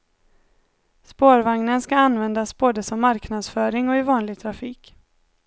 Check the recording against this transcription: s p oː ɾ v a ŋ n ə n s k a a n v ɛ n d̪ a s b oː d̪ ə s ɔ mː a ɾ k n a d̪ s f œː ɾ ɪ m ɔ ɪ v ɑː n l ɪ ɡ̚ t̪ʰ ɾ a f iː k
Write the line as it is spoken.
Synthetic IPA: s p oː ɾ v a ŋ n ə n s k a a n v ɛ n d̪ a s b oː d̪ ə s ɔ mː a ɾ k n a d̪ s f œː ɾ ɪ ŋ ɔ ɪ v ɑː n l ɪ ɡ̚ t̪ʰ ɾ a f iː k